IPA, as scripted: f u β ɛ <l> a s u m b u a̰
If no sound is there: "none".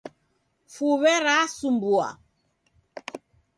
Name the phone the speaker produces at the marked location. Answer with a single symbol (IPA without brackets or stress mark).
ɾ